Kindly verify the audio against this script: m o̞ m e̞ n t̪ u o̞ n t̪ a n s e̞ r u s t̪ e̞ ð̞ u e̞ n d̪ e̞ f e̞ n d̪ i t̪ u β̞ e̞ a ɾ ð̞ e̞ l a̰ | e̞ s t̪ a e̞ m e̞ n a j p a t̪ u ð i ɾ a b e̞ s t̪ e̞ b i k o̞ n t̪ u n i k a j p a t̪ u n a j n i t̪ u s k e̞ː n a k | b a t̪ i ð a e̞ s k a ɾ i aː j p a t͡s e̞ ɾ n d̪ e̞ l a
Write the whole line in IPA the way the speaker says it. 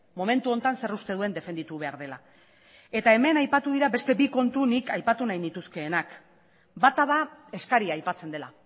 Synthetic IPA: m o̞ m e̞ n t̪ u o̞ n t̪ a n s e̞ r u s t̪ e̞ ð̞ u e̞ n d̪ e̞ f e̞ n d̪ i t̪ u β̞ e̞ a ɾ ð̞ e̞ l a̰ | e̞ t̪ a e̞ m e̞ n a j p a t̪ u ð i ɾ a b e̞ s t̪ e̞ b i k o̞ n t̪ u n i k a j p a t̪ u n a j n i t̪ u s k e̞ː n a k | b a t̪ a ð a e̞ s k a ɾ i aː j p a t͡s e̞ n d̪ e̞ l a